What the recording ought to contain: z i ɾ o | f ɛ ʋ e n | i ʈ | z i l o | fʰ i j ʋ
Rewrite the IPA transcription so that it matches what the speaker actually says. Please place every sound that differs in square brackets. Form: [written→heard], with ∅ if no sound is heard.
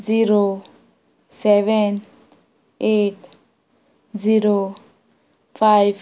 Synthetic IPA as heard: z i ɾ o | [f→s] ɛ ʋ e n | [i→e] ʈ | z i [l→ɾ] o | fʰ [i→a] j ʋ

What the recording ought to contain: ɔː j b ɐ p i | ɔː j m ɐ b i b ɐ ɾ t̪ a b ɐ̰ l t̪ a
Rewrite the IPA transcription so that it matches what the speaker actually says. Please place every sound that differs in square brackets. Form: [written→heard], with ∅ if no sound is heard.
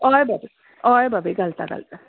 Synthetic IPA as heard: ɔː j b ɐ [p→b] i | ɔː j [m→b] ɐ b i [b→ɡ] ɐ [ɾ→l] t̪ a [b→ɡ] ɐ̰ l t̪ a

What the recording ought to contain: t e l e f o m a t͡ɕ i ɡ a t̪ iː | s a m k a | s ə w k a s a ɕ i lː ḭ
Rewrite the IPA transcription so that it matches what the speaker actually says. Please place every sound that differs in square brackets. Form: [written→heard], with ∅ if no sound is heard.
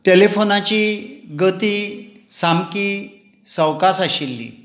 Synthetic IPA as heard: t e l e f o [m→n] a t͡ɕ i ɡ [a→ə] t̪ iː | s a m k [a→i] | s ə w k a s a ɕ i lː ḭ

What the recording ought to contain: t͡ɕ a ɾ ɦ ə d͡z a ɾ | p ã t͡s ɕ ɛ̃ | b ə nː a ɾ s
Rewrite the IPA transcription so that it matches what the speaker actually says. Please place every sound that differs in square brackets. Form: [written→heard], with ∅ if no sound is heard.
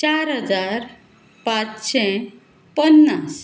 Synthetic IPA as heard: t͡ɕ a ɾ ɦ ə d͡z a ɾ | p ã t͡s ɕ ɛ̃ | [b→p] ə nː a [ɾ→∅] s

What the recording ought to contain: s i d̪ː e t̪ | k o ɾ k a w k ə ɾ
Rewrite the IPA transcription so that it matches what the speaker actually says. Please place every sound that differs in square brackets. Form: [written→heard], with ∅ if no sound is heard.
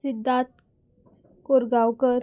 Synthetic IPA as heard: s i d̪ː [e→a] t̪ | k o ɾ [k→ɡ] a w k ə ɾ

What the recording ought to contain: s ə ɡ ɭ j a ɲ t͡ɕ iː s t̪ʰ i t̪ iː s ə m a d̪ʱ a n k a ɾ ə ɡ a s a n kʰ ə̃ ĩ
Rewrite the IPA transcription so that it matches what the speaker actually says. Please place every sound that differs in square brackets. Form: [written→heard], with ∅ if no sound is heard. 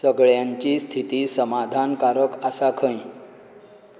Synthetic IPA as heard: s ə ɡ ɭ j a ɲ t͡ɕ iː s t̪ʰ i t̪ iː s ə m a d̪ʱ a n k a ɾ ə [ɡ→k] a s a [n→∅] kʰ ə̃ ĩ

